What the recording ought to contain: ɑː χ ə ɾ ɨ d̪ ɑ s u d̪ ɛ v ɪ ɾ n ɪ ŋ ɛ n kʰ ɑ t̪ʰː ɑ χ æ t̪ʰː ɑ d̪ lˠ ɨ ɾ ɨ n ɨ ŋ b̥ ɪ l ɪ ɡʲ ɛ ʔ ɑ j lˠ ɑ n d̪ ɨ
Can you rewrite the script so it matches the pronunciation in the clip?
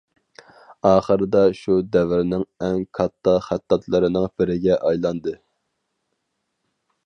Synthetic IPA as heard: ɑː χ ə ɾ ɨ d̪ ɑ ʃ u d̪ ɛ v ɪ ɾ n ɪ ŋ ɛ ŋ kʰ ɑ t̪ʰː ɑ χ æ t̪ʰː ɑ t̪ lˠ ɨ ɾ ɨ n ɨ ŋ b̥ ɪ ɾ ɪ ɡʲ ɛ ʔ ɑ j lˠ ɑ n d̪ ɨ